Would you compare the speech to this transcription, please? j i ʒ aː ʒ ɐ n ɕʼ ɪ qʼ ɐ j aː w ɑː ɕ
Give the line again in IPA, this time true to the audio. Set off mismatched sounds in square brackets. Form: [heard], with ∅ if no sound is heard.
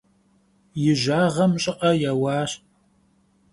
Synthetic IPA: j [ɪ] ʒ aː [ʁ] ɐ [m] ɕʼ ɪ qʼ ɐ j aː w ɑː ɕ